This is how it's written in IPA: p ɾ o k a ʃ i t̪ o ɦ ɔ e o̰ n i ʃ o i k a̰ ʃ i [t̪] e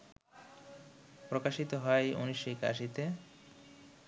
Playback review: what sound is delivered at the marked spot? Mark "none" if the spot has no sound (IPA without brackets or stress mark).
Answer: t̪